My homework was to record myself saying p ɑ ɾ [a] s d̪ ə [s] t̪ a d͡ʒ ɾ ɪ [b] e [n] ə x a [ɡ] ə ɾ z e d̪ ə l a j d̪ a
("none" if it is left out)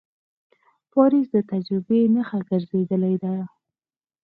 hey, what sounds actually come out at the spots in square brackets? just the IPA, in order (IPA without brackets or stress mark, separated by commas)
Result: i, none, b, n, ɡ